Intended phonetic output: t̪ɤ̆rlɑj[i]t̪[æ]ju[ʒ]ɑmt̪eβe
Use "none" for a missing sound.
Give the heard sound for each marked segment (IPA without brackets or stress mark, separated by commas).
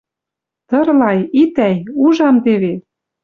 i, æ, ʒ